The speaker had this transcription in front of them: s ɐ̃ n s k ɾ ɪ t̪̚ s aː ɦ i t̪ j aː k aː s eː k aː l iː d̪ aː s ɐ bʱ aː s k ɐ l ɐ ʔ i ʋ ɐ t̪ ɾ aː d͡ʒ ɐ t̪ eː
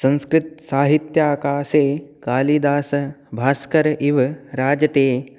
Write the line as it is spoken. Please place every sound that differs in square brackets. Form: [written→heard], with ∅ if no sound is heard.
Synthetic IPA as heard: s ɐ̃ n s k ɾ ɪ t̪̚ s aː ɦ i t̪ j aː k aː s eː k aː l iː d̪ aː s ɐ bʱ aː s k ɐ [l→ɾ] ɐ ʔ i ʋ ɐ [t̪→∅] ɾ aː d͡ʒ ɐ t̪ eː